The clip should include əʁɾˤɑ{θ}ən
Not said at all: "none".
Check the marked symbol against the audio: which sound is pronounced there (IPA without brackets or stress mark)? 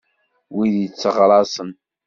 s